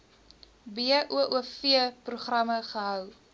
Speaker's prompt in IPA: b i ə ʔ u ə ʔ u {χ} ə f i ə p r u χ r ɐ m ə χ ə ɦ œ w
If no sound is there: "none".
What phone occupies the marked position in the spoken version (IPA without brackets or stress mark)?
none